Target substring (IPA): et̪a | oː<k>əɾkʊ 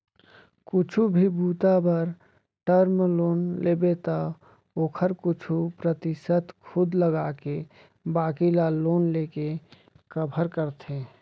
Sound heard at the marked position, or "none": kʰ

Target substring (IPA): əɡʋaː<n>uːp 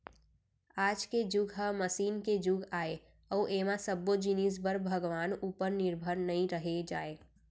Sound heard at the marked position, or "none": n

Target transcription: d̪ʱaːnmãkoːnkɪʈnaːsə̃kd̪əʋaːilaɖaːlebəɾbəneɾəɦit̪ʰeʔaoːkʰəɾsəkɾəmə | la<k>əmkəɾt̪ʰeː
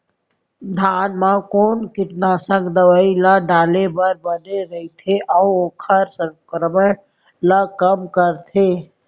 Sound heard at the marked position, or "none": k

